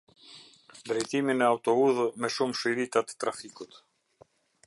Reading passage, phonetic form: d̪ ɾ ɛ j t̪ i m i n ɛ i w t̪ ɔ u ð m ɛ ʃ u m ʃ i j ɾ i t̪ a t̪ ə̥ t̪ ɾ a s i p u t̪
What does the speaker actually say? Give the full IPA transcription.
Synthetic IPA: d̪ ɾ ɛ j t̪ i m i n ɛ a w t̪ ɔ u ð m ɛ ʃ u m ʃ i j ɾ i t̪ a t̪ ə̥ t̪ ɾ a f i k u t̪